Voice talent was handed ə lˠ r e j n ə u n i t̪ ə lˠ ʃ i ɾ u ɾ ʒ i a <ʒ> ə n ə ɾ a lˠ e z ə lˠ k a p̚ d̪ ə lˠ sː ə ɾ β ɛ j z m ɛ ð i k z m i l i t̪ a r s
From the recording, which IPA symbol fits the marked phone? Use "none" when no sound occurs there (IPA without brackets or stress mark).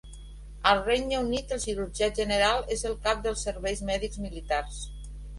ʒ